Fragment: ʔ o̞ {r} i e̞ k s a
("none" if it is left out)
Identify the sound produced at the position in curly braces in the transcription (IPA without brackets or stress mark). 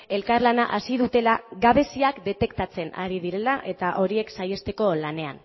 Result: ɾ